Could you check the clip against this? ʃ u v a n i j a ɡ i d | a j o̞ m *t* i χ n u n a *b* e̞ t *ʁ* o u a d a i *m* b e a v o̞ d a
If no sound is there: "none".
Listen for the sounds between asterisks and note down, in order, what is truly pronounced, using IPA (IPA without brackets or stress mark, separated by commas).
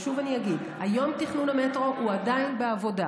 t, m, ʁ, n